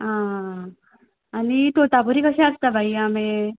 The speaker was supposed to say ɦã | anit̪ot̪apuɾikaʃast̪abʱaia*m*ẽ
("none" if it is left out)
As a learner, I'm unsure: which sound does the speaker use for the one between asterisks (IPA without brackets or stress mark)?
m